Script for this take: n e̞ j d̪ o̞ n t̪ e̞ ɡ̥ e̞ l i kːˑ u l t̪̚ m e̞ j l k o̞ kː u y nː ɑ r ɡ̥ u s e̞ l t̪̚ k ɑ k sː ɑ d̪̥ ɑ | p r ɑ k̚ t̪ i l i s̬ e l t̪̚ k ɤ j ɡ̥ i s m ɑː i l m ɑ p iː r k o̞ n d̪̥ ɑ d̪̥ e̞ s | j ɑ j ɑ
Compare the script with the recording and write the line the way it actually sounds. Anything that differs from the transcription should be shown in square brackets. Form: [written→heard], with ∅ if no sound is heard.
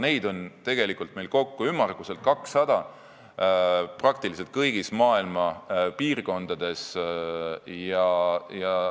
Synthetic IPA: n e̞ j d̪ o̞ n t̪ e̞ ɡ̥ e̞ l i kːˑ u l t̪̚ m e̞ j l k o̞ kː u y [nː→mː] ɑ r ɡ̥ u s e̞ l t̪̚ k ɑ k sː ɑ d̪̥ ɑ | p r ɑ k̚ t̪ i l i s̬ e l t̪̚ k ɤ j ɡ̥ i s m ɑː i l m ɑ p iː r k o̞ n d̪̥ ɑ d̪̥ e̞ s | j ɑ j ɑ